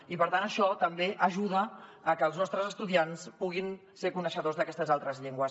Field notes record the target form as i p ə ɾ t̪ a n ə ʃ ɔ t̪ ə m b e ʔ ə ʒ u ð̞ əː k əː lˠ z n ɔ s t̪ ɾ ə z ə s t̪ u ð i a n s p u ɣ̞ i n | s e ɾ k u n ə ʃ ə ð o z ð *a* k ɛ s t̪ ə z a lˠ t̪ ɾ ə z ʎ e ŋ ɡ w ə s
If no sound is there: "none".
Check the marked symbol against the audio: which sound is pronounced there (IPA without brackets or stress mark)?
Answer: ə